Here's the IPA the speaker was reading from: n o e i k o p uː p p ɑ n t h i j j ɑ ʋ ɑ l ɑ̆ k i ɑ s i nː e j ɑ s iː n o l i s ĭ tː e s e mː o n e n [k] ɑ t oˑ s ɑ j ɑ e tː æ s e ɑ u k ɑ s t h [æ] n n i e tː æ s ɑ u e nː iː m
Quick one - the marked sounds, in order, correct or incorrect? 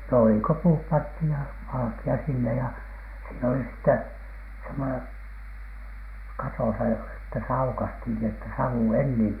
correct, incorrect: i

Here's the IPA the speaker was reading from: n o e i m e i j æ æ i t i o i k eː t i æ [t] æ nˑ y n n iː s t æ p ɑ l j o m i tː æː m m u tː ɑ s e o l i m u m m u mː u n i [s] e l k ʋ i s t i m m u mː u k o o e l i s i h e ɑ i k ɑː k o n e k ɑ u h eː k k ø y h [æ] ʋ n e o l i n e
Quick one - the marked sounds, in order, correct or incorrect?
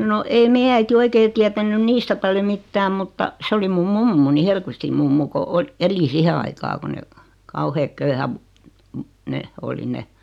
correct, incorrect: h, correct

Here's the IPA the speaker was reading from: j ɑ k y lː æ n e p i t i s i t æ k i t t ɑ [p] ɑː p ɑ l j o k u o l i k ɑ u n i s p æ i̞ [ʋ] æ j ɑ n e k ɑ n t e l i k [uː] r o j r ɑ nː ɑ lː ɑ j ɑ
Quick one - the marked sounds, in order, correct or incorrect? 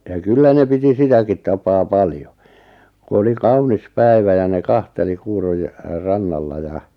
correct, correct, correct

